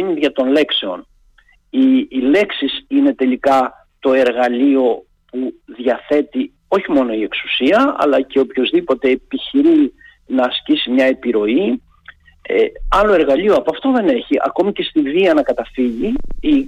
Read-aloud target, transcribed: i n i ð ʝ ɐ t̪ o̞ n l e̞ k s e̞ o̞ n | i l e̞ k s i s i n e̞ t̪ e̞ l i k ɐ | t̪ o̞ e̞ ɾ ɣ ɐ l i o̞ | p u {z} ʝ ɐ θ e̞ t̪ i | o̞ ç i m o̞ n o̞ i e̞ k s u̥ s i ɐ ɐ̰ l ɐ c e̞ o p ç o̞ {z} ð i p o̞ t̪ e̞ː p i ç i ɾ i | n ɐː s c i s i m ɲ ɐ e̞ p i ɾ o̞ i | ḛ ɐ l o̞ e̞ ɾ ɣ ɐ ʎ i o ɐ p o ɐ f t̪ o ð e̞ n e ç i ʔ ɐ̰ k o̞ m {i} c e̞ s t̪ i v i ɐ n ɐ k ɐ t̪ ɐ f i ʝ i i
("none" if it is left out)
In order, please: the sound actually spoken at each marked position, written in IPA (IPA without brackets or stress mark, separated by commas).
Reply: ð, z, i